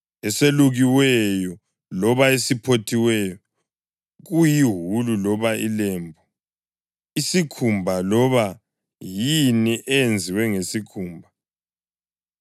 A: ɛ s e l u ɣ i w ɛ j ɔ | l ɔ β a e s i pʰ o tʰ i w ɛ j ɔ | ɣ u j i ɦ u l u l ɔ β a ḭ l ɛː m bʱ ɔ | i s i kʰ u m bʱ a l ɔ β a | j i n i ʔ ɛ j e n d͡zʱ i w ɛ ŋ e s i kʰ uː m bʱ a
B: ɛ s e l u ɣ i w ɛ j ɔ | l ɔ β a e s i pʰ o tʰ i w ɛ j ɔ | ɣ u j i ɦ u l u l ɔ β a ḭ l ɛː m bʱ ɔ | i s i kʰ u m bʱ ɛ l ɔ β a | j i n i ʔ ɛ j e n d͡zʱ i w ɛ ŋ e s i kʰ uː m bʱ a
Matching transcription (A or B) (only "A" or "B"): A